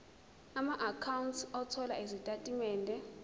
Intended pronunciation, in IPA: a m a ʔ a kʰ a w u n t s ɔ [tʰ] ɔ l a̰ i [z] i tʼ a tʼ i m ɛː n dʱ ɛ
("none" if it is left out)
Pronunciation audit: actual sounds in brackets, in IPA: tʰ, z

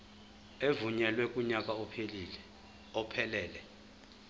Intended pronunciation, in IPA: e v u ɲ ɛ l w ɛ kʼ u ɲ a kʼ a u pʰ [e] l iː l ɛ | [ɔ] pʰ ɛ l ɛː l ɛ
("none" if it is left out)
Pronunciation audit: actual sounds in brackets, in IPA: e, ɔ

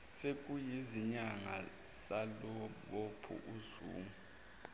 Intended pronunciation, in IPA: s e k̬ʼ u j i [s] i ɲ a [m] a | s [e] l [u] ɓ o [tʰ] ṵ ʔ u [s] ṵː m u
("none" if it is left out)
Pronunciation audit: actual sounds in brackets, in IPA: z, ŋ, a, o, pʰ, z

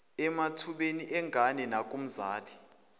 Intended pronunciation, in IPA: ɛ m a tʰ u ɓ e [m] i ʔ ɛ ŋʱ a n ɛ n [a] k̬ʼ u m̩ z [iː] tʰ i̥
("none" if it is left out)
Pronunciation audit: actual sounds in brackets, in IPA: n, a, aː

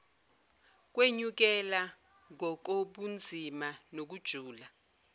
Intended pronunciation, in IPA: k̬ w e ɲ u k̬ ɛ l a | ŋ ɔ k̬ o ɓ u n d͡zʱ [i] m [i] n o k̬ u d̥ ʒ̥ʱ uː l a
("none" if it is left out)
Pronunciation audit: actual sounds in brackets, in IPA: i, a

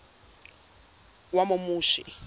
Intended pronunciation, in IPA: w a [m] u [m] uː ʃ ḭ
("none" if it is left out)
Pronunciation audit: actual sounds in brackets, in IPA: m, m

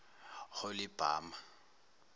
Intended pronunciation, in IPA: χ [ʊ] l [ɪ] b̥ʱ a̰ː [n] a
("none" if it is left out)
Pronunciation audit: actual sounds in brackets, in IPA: ʊ, ɪ, m

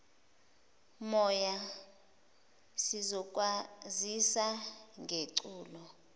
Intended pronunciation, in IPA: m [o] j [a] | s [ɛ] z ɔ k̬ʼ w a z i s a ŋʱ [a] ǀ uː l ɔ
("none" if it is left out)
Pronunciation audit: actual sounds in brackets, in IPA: ɔ, a, i, e

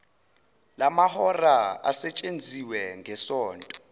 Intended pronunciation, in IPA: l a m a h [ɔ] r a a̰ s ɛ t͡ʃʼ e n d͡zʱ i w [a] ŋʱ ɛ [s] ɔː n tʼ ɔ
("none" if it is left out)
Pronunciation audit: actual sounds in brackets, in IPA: ɔ, ɛ, s

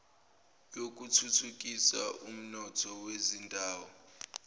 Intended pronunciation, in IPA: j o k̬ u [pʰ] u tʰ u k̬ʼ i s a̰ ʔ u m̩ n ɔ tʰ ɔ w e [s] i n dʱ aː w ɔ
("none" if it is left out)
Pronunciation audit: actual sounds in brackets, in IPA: tʰ, z

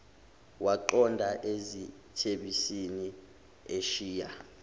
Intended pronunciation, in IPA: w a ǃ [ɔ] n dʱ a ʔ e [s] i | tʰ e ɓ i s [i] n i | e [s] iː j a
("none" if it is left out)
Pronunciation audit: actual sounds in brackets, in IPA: ɔ, z, i, ʃ

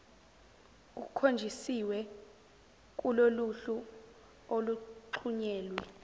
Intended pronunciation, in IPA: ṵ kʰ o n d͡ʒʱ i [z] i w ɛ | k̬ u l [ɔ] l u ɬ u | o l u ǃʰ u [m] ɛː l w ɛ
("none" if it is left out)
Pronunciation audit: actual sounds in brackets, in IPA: s, o, ɲ

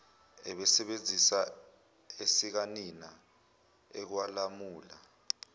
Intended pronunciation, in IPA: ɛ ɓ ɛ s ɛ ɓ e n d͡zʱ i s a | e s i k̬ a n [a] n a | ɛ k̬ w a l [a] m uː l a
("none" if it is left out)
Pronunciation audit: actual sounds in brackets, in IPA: i, a

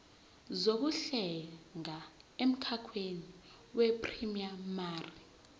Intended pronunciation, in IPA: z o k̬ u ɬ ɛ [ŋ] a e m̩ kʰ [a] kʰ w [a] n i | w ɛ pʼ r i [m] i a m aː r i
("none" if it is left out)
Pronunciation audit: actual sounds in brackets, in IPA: ŋ, a, e, m

